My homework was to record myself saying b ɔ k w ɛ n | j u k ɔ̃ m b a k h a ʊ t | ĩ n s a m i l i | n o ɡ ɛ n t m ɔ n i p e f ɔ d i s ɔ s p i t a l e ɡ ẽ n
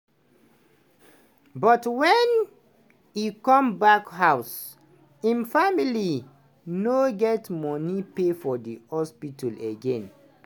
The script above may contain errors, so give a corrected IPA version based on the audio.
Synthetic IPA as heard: b ɔ t w ɛ n | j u k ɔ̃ m b a k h a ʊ s | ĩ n f a m i l i | n o ɡ ɛ t m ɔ n i p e f ɔ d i h ɔ s p i t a l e ɡ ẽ n